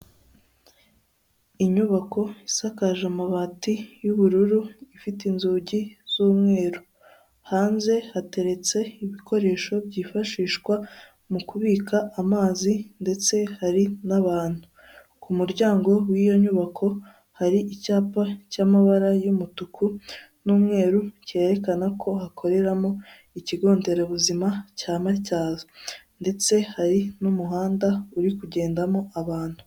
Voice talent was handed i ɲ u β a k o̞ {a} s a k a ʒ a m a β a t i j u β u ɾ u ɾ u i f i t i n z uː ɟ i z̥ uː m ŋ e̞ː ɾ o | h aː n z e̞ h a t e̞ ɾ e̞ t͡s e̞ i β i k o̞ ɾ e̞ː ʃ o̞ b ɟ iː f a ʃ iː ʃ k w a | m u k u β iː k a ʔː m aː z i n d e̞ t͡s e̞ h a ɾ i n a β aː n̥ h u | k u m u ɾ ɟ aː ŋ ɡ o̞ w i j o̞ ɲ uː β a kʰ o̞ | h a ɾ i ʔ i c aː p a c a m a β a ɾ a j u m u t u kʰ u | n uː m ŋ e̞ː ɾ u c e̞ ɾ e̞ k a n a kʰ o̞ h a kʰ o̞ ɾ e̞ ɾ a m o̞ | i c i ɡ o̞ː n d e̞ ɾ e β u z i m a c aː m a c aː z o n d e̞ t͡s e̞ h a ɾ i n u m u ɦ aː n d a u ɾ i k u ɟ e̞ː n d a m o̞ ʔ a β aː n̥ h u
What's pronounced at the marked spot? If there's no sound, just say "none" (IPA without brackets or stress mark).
i